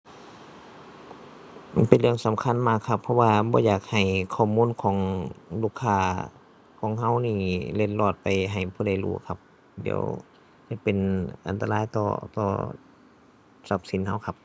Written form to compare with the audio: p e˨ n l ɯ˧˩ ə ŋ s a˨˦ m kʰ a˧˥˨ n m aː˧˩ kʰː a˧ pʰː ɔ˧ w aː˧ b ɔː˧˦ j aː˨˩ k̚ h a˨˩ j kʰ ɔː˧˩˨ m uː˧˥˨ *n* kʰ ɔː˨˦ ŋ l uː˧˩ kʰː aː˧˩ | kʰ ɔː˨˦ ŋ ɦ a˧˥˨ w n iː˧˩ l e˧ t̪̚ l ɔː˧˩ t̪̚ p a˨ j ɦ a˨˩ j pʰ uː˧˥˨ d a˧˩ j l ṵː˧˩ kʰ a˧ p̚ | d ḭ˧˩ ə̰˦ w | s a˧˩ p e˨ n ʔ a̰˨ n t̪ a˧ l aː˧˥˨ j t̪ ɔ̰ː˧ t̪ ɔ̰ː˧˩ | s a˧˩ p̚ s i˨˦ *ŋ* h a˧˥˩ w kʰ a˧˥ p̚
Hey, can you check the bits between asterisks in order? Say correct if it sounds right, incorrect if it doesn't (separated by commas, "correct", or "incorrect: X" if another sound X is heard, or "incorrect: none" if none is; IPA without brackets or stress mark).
correct, incorrect: n